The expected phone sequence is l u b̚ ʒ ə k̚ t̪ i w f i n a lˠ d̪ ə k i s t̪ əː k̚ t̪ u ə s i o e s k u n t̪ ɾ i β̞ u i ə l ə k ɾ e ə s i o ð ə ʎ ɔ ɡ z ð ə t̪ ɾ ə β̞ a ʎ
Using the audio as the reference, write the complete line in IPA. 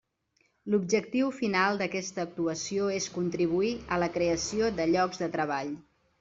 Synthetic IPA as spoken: l u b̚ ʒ ə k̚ t̪ i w f i n a lˠ d̪ ə k ɛ s t̪ əː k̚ t̪ u ə s i o e s k u n t̪ ɾ i β̞ u i ə l ə k ɾ e ə s i o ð ə ʎ ɔ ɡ z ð ə t̪ ɾ ə β̞ a ʎ